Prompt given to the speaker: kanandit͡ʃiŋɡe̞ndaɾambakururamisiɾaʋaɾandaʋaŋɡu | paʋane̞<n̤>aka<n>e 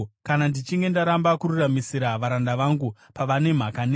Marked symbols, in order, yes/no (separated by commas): no, yes